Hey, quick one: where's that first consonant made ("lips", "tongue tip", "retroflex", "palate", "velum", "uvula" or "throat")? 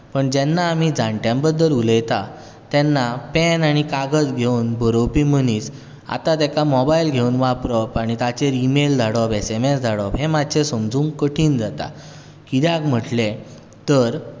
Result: lips